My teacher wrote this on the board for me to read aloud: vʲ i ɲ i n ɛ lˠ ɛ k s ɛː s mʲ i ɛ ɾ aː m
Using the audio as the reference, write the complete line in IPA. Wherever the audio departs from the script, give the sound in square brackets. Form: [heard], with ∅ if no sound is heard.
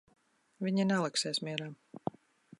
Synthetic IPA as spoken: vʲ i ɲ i n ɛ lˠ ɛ k s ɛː s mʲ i ɛ ɾ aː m